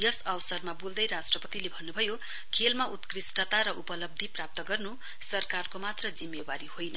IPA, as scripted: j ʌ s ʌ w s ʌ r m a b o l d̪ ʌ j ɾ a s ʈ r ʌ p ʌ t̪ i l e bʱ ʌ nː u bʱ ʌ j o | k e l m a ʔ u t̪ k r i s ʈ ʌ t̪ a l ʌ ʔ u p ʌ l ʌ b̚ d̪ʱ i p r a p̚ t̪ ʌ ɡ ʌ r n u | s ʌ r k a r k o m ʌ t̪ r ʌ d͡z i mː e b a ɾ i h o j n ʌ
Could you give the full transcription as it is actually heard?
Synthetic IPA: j ʌ s ʌ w s ʌ r m a b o l d̪ ʌ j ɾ a s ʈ r ʌ p ʌ t̪ i l e bʱ ʌ nː u bʱ ʌ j o | kʰ e l m a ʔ u t̪ k r i s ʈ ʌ t̪ a ɾ ʌ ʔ u p ʌ l ʌ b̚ d̪ʱ i p r a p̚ t̪ ʌ ɡ ʌ r n u | s ʌ r k a r k o m a t̪ r ʌ d͡z i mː e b a ɾ i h o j n ʌ